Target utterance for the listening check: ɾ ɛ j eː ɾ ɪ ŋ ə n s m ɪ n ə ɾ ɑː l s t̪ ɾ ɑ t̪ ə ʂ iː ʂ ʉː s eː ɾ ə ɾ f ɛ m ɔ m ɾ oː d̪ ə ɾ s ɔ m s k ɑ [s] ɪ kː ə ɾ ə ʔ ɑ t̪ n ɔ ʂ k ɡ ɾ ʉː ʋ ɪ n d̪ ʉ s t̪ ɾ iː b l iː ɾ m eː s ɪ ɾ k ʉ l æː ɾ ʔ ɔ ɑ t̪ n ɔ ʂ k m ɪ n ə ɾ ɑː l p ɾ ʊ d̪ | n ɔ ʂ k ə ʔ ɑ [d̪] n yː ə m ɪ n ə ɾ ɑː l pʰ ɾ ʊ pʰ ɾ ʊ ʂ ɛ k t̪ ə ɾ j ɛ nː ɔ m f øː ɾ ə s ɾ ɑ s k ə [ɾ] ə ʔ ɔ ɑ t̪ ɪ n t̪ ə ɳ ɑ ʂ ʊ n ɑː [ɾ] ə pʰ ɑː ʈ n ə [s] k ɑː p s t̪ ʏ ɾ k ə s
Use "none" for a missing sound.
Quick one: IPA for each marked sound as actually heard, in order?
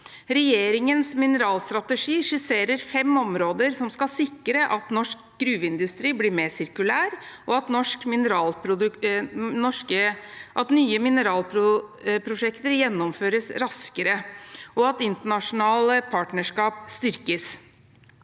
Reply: s, t̪, ɾ, l, ʂ

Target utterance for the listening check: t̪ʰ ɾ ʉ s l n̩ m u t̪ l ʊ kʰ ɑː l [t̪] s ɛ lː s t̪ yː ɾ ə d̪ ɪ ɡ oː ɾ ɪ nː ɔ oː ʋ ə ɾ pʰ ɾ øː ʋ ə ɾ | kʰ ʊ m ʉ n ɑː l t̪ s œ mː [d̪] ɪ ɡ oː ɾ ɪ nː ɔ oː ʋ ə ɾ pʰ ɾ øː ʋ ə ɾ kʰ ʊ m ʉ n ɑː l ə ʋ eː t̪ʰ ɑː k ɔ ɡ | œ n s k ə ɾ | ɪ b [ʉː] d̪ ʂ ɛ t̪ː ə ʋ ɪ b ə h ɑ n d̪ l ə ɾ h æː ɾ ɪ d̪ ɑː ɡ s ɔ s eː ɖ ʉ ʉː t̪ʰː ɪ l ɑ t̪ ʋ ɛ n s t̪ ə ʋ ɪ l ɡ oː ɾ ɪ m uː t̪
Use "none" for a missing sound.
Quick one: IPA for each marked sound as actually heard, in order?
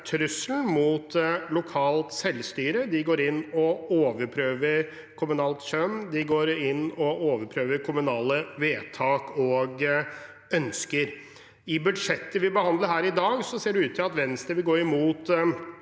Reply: t̪, d̪, ʉ

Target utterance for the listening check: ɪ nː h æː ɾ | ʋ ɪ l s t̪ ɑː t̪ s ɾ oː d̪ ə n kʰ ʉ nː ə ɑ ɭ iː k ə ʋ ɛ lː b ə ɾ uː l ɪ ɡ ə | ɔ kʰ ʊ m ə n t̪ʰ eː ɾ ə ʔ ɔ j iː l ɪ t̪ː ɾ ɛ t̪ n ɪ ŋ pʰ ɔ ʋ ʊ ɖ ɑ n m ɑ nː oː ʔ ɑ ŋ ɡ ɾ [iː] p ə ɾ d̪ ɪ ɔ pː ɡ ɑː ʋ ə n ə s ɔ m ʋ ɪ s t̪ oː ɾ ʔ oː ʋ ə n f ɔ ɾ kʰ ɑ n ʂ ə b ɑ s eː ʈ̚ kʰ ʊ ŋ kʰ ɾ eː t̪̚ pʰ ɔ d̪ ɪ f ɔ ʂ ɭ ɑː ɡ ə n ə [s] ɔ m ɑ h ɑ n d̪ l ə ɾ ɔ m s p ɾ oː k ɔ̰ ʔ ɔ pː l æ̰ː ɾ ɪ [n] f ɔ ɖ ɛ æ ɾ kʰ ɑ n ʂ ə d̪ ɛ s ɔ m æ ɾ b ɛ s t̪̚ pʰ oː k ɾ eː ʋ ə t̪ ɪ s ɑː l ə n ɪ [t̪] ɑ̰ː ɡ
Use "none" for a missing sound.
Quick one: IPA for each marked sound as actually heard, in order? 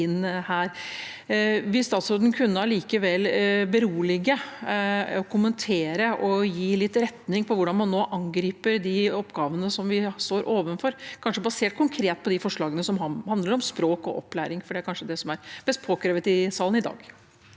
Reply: iː, s, ŋ, d̪

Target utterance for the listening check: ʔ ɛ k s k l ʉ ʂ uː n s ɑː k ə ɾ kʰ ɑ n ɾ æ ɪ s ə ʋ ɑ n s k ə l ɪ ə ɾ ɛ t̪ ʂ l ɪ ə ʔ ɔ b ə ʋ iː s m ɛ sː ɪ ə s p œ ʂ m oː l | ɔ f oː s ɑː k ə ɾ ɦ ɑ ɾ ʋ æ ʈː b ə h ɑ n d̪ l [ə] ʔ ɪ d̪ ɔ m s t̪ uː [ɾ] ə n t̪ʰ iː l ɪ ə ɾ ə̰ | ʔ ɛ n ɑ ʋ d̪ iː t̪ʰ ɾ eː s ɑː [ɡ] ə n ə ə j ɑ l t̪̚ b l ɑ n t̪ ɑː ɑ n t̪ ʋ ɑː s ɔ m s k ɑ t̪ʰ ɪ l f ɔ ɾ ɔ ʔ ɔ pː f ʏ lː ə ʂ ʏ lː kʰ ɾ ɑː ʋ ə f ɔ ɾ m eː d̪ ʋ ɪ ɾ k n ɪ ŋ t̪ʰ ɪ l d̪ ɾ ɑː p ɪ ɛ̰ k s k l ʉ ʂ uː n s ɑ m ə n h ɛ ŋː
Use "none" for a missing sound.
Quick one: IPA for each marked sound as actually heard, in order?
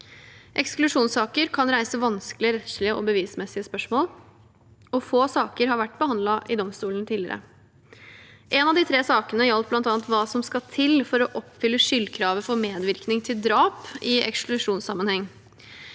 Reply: ɑ, l, k

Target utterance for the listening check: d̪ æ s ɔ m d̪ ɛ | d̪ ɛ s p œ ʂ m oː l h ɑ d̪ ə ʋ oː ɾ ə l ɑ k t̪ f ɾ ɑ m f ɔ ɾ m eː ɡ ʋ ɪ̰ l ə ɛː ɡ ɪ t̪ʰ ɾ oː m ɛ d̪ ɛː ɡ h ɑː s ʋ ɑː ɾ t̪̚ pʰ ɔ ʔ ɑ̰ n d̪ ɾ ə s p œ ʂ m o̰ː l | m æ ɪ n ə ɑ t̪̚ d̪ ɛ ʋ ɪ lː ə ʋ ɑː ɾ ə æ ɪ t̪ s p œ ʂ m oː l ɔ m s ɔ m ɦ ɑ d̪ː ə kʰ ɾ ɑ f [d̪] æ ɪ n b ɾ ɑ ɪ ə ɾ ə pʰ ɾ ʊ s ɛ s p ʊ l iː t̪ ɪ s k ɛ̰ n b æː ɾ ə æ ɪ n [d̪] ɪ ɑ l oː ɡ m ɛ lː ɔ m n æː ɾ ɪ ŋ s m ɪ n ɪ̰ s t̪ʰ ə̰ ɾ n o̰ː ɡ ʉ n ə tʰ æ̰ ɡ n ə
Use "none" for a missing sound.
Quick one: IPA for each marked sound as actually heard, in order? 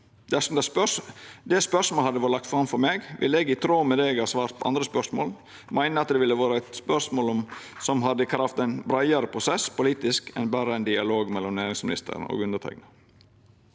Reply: t̪, d̪

